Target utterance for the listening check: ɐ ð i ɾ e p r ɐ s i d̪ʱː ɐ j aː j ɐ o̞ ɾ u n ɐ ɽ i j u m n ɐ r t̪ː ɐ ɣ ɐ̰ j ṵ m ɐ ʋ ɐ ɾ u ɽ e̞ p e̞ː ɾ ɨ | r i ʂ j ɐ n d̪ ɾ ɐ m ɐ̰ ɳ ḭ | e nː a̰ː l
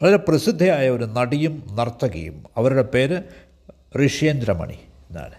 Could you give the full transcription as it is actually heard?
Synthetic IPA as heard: ɐ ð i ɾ e p r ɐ s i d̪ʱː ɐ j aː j ɐ o̞ ɾ u n ɐ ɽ i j u m n ɐ r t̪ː ɐ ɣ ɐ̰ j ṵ m ɐ ʋ ɐ ɾ u ɽ e̞ p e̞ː ɾ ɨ | r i ʂ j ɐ n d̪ ɾ ɐ m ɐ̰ ɳ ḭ | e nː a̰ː l